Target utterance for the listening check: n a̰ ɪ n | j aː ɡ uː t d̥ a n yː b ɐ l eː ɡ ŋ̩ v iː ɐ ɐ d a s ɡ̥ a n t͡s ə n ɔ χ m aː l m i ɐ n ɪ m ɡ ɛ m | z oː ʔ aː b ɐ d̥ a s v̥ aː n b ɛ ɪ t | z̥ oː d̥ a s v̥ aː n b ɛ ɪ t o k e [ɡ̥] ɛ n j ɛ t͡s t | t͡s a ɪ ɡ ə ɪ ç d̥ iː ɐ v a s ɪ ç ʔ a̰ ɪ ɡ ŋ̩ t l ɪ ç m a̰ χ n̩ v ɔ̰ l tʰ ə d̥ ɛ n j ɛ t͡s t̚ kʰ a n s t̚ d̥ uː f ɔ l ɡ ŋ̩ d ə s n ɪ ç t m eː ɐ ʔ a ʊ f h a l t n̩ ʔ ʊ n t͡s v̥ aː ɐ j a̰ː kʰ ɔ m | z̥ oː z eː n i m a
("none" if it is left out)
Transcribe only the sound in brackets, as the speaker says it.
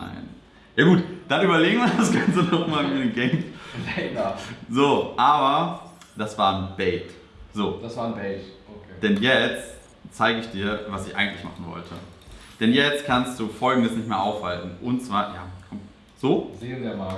d̥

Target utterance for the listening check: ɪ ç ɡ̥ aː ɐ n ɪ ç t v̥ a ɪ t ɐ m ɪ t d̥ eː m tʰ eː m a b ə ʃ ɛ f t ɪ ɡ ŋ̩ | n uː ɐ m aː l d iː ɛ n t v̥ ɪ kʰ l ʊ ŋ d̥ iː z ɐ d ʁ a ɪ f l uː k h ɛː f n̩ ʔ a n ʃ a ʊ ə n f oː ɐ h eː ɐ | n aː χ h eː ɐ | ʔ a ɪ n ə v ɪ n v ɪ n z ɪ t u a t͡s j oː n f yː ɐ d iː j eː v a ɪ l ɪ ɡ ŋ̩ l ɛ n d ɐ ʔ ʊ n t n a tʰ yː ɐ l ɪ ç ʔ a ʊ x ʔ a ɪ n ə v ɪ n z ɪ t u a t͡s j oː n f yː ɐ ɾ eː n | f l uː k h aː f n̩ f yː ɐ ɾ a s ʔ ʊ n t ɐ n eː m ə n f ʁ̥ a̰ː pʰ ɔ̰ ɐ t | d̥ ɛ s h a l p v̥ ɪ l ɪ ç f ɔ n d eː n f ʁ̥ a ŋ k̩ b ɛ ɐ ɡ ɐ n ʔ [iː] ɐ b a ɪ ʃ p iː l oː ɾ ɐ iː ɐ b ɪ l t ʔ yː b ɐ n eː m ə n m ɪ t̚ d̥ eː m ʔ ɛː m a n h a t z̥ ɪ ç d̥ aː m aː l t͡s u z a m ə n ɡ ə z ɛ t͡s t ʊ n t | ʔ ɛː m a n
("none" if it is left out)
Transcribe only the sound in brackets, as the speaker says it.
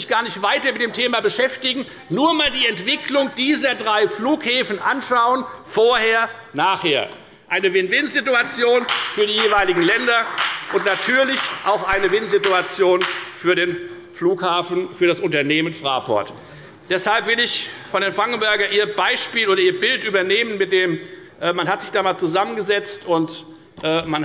iː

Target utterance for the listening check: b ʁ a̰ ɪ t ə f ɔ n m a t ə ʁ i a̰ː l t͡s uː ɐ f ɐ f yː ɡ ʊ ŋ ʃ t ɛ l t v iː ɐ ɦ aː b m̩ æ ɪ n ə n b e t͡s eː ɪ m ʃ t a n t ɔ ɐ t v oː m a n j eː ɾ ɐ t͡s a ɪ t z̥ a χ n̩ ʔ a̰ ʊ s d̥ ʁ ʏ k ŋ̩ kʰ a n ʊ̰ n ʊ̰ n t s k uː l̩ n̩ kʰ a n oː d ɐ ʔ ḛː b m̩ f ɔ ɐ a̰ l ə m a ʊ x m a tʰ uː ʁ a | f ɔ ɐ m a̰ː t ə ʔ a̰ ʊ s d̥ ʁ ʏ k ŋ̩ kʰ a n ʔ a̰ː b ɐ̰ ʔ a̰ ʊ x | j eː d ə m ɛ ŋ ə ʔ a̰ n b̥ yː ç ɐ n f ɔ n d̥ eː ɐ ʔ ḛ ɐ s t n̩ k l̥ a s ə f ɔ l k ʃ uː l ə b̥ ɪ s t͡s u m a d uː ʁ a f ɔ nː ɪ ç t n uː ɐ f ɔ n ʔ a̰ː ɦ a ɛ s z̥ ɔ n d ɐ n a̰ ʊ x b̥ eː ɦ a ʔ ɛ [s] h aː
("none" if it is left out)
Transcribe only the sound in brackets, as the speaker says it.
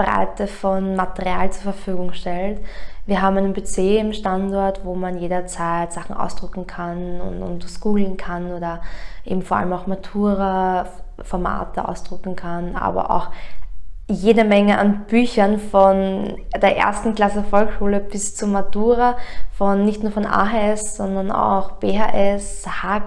s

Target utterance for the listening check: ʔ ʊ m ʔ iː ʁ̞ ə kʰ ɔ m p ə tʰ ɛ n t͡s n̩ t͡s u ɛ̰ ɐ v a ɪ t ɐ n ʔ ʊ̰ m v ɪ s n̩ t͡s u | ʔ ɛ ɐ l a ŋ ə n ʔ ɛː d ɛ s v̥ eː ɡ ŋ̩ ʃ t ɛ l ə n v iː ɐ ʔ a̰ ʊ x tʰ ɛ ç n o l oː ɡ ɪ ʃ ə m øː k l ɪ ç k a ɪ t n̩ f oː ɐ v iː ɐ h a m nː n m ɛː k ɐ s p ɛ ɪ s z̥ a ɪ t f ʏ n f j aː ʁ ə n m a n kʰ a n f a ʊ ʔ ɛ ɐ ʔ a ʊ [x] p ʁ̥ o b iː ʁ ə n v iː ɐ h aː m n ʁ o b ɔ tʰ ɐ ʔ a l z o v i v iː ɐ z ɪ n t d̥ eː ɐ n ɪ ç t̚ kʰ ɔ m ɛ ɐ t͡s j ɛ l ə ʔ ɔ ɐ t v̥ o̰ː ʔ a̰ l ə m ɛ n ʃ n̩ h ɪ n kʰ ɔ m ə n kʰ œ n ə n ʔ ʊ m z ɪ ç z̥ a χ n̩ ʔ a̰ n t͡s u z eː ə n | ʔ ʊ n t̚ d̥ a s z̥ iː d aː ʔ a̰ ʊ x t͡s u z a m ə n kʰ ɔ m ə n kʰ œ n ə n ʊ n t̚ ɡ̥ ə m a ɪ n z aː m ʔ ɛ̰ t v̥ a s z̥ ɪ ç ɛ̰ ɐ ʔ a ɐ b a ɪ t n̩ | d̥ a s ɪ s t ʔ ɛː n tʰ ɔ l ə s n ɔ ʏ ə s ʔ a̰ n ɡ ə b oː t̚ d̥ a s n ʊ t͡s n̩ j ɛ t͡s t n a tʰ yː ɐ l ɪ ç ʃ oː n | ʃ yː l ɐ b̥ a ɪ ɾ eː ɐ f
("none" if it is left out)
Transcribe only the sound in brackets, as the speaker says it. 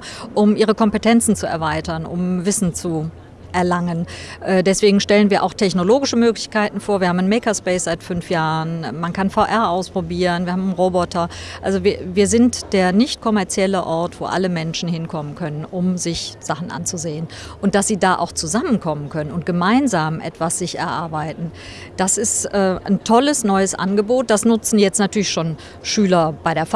s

